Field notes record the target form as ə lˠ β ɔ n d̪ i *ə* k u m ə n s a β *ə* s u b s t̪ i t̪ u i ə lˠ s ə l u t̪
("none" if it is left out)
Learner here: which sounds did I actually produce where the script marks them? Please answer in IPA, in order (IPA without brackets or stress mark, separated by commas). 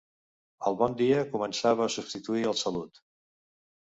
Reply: ə, əː